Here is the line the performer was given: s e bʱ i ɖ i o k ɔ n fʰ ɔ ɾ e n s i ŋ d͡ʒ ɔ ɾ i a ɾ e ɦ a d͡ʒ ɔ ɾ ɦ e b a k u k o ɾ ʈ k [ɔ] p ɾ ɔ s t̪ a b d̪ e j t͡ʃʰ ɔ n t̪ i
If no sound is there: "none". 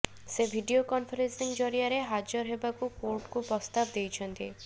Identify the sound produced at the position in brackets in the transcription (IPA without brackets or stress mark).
u